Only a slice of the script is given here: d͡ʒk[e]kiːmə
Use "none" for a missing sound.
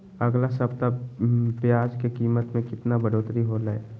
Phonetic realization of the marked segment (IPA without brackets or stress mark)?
e